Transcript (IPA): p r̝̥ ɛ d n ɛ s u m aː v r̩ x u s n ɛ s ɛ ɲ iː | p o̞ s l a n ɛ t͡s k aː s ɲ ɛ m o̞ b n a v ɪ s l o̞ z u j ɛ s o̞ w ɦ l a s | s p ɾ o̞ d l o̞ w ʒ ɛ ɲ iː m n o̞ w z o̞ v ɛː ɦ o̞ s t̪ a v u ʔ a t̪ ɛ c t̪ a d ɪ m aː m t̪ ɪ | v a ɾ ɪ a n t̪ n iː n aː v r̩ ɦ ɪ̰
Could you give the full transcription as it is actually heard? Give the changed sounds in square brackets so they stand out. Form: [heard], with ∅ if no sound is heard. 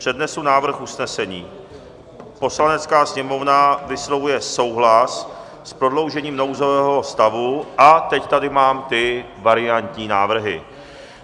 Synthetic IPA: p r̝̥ ɛ d n ɛ s u [n] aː v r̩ x u s n ɛ s ɛ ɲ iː | p o̞ s l a n ɛ t͡s k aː s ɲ ɛ m o̞ [v] n a v ɪ s l o̞ [v] u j ɛ s o̞ w ɦ l a s | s p ɾ o̞ d l o̞ w ʒ ɛ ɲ iː m n o̞ w z o̞ v ɛː ɦ o̞ s t̪ a v u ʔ a t̪ ɛ c t̪ a d ɪ m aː m t̪ ɪ | v a ɾ ɪ a n t̪ [ɲ] iː n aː v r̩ ɦ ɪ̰